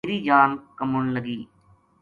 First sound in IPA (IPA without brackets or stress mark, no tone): ɾ